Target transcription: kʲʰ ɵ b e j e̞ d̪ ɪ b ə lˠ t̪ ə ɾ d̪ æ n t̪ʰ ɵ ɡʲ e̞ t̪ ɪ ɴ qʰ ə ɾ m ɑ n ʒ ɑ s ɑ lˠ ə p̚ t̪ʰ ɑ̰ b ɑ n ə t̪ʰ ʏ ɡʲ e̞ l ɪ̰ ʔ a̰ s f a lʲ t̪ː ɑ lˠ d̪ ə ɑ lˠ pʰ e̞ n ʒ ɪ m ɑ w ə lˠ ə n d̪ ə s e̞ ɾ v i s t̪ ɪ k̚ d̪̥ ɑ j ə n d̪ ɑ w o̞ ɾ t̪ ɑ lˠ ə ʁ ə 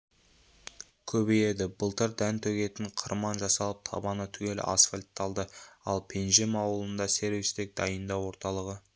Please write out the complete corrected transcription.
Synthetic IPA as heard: kʲʰ ɵ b e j e̞ d̪ ɪ b ə lˠ t̪ ə ɾ d̪ æ n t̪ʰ ɵ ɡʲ e̞ t̪ ɪ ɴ qʰ ə ɾ m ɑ n ʒ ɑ s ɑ lˠ ə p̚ t̪ʰ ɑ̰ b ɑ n ə t̪ʰ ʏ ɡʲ e̞ l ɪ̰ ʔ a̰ s f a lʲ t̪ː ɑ lˠ d̪ ə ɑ lˠ pʰ e̞ n ʒ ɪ m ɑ w ə lˠ ə n d̪ ɑ s e̞ ɾ v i s t̪ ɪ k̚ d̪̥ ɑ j ə n d̪ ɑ w o̞ ɾ t̪ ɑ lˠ ə ʁ ə